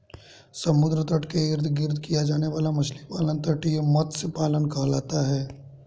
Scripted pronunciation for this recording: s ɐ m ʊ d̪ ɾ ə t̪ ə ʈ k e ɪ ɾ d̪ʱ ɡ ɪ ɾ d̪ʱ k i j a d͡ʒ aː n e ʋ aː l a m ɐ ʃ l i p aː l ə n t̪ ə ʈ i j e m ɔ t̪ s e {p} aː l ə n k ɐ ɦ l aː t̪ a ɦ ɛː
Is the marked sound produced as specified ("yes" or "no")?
yes